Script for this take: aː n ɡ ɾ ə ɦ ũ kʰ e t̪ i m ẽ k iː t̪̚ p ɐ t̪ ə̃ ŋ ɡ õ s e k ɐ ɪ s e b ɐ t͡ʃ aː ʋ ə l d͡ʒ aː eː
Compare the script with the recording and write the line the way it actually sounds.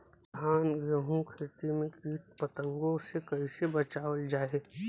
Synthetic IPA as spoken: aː n ɡ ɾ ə ɦ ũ kʰ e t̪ i m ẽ k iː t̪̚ p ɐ t̪ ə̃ ŋ ɡ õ s e k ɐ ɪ s e b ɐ t͡ʃ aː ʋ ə l d͡ʒ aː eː